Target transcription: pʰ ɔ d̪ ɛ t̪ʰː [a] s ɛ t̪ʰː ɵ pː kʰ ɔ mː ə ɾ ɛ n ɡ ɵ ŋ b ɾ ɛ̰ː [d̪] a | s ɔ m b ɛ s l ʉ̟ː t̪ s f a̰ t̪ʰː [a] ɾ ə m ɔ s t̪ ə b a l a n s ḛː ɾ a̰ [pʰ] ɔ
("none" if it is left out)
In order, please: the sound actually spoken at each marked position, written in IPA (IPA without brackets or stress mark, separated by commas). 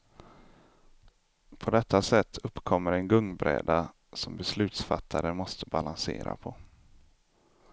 a, d̪, a, pʰ